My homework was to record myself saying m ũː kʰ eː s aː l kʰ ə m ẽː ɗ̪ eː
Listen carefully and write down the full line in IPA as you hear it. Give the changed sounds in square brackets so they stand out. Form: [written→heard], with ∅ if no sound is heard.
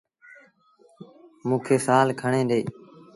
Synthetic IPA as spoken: m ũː kʰ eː s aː l kʰ ə [m→ɳ] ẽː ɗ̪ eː